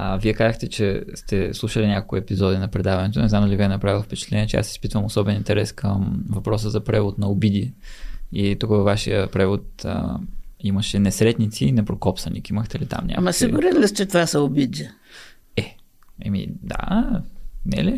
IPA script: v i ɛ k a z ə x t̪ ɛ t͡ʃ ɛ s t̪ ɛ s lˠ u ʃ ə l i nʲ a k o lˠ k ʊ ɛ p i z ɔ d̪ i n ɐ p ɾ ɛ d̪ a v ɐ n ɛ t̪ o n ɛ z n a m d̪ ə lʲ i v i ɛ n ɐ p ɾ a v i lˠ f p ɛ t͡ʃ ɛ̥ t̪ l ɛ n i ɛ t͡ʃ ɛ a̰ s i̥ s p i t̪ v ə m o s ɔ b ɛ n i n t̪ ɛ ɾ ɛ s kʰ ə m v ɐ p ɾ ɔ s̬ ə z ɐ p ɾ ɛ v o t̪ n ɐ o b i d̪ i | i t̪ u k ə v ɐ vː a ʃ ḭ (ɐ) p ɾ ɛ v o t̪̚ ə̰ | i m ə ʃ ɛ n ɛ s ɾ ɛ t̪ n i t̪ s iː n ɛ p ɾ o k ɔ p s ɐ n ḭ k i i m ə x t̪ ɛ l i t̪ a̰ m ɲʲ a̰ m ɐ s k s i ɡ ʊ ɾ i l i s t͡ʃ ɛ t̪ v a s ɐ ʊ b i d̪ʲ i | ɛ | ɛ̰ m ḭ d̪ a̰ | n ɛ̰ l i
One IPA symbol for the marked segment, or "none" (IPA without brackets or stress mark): ə